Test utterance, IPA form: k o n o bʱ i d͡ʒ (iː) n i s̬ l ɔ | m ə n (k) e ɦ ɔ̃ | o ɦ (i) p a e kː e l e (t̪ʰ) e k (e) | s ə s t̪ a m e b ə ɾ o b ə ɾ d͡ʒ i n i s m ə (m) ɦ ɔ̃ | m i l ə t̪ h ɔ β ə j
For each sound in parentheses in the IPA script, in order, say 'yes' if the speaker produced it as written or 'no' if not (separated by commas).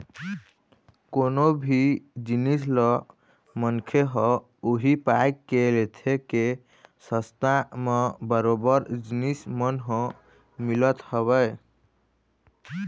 no, no, yes, yes, yes, no